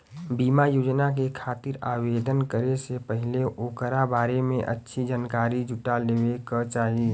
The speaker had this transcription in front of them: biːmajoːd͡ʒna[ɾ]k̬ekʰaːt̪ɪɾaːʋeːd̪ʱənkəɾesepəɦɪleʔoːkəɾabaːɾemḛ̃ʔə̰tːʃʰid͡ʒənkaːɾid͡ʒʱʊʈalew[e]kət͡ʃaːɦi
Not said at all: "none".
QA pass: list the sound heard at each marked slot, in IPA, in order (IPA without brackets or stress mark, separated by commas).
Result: none, e